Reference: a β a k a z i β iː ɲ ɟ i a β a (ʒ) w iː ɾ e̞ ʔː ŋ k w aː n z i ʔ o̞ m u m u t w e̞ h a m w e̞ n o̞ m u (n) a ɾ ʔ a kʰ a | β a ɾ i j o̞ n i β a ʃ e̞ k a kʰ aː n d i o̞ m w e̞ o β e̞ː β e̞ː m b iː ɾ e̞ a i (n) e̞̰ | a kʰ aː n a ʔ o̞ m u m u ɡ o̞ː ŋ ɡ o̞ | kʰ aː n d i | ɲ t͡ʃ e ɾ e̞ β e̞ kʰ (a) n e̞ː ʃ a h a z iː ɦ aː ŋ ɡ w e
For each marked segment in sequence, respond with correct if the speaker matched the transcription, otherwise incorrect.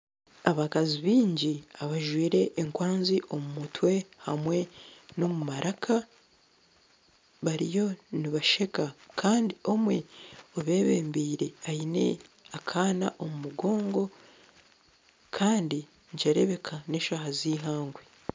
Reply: correct, incorrect: m, correct, correct

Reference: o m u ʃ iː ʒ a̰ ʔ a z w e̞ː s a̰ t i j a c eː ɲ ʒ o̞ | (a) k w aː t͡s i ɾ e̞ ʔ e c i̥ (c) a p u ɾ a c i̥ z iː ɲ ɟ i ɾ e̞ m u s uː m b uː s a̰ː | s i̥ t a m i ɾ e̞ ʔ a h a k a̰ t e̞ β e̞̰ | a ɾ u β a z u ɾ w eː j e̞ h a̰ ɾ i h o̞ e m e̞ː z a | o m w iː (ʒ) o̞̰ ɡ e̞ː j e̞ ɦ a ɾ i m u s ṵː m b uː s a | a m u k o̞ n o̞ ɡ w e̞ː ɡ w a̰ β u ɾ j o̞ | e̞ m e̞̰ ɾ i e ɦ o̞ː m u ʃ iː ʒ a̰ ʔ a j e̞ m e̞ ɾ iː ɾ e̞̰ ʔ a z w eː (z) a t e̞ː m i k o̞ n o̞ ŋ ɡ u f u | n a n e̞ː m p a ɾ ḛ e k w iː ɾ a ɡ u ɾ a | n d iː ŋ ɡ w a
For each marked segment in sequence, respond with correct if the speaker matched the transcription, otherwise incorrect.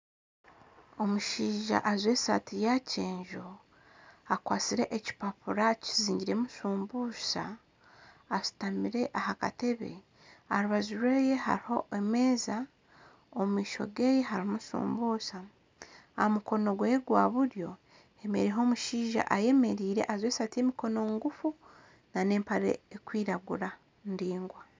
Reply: correct, incorrect: p, incorrect: ʃ, incorrect: s

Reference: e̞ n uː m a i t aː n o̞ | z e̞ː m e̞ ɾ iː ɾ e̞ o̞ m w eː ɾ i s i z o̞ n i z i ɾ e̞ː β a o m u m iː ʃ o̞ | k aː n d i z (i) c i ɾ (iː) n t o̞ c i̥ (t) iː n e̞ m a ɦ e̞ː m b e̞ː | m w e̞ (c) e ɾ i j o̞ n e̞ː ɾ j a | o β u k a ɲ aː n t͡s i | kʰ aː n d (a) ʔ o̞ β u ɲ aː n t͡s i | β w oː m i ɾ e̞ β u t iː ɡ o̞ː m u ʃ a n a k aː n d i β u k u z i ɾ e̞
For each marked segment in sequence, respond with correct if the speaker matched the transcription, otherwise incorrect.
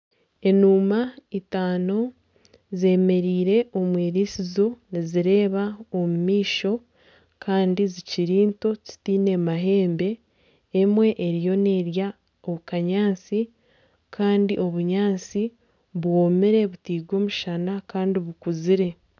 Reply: correct, correct, correct, incorrect: ʔ, incorrect: i

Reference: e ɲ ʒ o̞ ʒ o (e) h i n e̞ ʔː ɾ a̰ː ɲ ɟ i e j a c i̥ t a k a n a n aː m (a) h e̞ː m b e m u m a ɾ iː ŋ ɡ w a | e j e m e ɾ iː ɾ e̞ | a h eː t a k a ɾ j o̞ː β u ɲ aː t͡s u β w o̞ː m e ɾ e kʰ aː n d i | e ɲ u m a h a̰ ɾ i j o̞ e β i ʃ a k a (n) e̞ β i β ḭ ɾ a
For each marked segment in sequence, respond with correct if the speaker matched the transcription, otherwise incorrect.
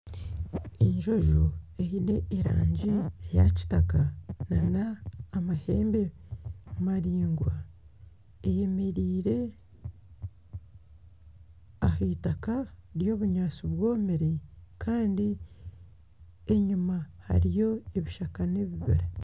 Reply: correct, correct, correct

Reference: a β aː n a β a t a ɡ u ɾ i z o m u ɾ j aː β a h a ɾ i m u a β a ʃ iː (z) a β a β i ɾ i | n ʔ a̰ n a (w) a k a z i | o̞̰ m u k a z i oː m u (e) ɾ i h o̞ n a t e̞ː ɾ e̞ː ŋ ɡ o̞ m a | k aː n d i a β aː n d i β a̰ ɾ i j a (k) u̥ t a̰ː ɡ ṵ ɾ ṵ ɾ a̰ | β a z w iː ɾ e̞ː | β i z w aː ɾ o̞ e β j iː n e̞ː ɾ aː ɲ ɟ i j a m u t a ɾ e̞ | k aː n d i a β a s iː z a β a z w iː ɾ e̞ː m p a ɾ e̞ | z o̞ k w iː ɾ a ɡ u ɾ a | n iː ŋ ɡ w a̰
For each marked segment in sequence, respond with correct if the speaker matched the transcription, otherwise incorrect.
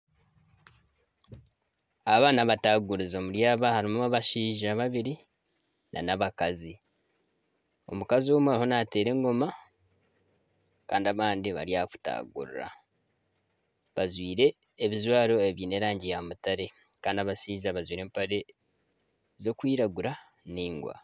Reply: incorrect: ʒ, incorrect: β, incorrect: a, correct

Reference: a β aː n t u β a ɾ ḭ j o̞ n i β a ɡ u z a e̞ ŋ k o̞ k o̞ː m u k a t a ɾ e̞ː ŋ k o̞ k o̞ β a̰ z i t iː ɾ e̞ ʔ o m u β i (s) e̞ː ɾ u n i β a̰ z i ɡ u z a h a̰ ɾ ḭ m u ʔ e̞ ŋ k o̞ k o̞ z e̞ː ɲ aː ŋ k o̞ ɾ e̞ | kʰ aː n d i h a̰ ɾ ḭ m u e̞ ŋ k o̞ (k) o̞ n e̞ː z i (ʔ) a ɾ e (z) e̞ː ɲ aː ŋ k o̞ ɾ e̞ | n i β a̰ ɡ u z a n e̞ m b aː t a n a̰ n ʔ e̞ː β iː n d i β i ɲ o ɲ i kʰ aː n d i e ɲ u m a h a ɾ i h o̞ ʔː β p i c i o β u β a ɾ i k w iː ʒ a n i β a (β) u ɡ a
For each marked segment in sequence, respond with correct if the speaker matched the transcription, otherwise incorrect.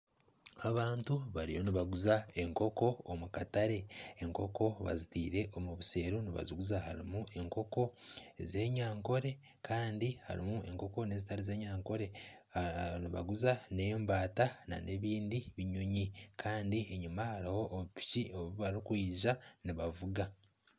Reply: correct, correct, incorrect: t, correct, incorrect: v

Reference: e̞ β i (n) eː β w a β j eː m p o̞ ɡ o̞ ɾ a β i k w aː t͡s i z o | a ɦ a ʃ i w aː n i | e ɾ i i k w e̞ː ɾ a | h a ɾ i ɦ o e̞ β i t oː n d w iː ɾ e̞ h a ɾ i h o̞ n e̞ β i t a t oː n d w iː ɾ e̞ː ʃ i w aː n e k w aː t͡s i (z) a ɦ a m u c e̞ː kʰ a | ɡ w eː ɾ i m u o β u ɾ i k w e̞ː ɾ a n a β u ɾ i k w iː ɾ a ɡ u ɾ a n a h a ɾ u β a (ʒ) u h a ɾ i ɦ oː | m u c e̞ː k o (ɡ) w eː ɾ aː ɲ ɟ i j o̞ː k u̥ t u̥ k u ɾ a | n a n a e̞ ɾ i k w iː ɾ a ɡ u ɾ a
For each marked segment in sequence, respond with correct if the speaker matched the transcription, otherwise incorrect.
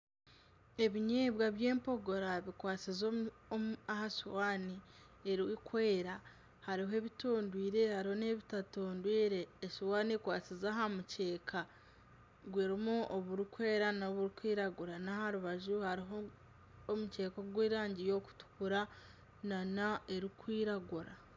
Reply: incorrect: ɲ, correct, correct, correct

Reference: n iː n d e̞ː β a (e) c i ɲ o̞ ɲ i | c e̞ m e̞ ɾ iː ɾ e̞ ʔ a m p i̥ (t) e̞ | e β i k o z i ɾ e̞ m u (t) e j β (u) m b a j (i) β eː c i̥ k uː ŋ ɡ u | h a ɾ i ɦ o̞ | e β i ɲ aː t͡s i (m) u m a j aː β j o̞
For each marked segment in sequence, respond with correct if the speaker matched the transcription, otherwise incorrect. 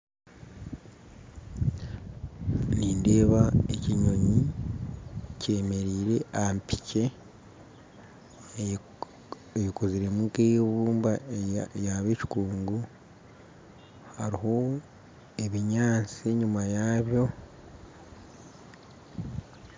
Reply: correct, incorrect: c, incorrect: k, incorrect: uː, incorrect: a, incorrect: ɲ

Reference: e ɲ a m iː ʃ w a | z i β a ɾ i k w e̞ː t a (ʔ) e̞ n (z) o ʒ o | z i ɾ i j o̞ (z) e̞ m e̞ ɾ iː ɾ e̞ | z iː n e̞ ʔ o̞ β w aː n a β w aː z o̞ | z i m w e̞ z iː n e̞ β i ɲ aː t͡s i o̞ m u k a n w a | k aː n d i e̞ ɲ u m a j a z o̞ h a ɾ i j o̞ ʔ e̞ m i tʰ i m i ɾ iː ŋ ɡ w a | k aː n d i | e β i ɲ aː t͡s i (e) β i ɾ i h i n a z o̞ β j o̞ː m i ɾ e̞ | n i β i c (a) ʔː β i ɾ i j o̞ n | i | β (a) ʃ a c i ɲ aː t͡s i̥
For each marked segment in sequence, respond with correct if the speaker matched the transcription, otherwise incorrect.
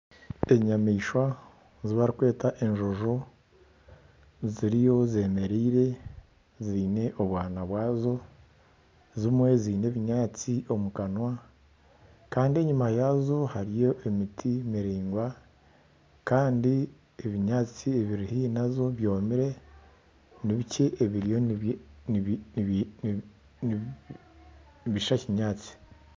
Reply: correct, incorrect: ʒ, correct, correct, incorrect: e, incorrect: i

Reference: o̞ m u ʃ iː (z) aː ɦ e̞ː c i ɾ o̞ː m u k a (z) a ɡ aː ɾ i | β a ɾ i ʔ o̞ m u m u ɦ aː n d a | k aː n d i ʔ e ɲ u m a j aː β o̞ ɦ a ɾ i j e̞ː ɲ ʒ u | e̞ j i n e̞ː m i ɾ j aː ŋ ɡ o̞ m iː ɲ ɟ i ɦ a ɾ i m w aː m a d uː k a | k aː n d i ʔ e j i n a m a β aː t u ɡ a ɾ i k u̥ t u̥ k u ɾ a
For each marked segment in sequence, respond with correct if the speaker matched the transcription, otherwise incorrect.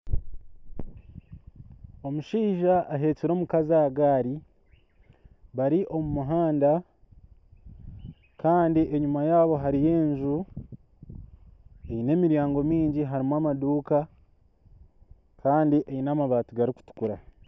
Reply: incorrect: ʒ, correct

